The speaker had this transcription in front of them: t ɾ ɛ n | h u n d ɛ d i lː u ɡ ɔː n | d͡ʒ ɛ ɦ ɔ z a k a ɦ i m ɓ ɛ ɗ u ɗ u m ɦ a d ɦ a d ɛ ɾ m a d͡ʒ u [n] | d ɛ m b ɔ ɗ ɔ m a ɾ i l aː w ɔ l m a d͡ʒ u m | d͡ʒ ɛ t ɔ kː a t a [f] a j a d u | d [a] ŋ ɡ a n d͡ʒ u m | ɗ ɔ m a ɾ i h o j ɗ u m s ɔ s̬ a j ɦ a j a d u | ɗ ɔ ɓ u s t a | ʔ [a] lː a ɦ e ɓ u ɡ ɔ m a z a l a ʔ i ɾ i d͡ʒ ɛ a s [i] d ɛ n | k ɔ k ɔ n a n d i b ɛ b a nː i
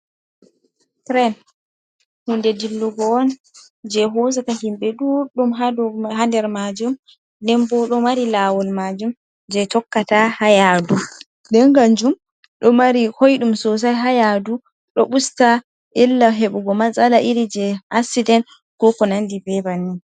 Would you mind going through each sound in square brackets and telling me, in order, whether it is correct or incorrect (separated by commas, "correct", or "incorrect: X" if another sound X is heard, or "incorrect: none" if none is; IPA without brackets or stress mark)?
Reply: incorrect: m, incorrect: h, incorrect: ɛ, incorrect: i, correct